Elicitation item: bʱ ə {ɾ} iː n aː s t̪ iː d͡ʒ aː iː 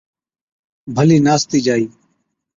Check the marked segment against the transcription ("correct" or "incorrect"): incorrect